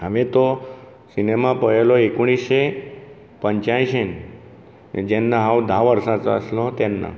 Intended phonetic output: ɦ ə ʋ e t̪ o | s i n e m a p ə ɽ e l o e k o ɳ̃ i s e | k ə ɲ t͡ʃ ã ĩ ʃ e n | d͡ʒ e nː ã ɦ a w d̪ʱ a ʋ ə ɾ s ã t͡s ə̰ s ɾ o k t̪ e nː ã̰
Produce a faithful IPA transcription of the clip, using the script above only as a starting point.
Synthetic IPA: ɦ ə ʋ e t̪ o | s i n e m a p ə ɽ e l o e k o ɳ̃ i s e | p ə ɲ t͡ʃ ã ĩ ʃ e n | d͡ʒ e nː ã ɦ a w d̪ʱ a ʋ ə ɾ s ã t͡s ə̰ s l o t̪ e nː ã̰